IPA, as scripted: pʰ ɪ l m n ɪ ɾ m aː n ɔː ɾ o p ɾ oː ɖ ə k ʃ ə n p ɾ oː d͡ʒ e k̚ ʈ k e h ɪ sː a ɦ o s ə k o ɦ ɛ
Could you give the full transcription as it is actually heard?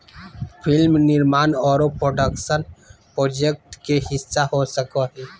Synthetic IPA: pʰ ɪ l m n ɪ ɾ m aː n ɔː ɾ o p ɾ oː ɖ ə k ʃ ə n p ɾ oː d͡ʒ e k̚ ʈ k e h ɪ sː a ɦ o s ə k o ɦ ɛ